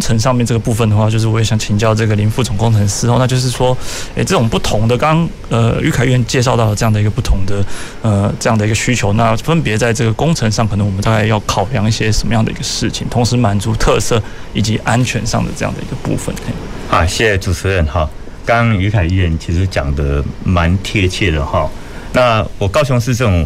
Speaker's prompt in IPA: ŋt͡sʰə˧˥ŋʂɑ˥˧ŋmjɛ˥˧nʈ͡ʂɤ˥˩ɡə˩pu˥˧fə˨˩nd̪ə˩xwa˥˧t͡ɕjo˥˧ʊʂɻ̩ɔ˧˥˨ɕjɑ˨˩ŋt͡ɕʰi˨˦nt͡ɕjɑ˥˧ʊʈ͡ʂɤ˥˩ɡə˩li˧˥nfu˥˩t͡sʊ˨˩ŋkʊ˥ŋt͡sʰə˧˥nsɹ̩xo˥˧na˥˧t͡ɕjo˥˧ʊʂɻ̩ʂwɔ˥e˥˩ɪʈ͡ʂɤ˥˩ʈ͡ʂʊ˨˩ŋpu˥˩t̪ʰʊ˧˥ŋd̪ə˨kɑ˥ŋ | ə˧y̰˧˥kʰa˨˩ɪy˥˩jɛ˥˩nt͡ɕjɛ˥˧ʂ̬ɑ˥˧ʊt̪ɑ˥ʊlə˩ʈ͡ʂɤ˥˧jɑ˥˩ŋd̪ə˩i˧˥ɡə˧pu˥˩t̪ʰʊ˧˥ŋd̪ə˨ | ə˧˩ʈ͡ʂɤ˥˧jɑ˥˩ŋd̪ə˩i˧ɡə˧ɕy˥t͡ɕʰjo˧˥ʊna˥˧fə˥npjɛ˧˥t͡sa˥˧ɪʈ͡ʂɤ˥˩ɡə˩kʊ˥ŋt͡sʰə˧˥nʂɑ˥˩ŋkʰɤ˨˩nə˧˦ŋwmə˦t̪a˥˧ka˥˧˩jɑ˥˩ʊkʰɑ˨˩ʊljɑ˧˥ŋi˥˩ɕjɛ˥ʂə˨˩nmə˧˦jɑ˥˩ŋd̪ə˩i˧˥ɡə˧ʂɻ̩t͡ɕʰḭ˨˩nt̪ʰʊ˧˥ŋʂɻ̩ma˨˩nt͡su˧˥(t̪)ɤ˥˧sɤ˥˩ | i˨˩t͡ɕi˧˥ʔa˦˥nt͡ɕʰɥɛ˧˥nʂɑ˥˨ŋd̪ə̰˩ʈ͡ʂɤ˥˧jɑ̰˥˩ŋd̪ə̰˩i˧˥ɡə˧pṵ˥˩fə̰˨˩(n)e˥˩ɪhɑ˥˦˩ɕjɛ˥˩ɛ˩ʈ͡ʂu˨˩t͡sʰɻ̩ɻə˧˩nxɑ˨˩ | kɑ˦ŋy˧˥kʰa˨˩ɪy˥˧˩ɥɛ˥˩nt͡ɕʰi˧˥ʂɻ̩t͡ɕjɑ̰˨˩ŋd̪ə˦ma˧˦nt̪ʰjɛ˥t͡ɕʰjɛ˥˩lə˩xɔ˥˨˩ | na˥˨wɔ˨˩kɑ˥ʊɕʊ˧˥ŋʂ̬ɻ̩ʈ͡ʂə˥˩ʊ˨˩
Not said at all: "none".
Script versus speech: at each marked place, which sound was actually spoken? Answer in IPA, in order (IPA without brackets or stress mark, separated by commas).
t̪ʰ, n